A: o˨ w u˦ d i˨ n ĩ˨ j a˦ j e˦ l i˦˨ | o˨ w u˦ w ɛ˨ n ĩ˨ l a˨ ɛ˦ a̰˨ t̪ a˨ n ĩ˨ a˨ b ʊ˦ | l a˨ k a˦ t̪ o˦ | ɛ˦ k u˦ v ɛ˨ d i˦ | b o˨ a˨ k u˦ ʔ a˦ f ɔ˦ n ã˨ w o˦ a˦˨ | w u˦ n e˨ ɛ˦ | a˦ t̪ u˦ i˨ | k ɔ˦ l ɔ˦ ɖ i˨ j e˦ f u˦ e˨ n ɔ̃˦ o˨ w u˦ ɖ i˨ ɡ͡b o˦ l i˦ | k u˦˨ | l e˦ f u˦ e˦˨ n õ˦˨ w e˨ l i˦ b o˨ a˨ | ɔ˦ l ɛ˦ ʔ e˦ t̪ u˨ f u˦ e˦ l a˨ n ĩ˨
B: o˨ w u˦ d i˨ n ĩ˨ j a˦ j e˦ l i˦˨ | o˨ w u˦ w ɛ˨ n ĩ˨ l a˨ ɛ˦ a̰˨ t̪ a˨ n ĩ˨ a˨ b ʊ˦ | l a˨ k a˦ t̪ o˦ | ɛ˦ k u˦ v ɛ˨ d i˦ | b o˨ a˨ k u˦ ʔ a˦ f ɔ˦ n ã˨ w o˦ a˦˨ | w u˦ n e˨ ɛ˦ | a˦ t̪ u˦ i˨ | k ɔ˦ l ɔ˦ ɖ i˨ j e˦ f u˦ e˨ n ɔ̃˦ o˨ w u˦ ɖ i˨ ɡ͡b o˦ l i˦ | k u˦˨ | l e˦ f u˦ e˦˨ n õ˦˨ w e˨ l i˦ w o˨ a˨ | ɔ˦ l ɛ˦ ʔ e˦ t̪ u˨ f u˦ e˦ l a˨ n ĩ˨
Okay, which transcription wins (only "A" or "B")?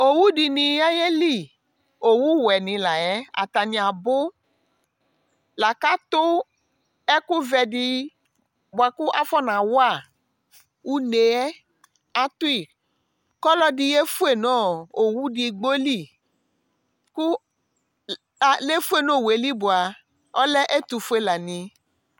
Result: A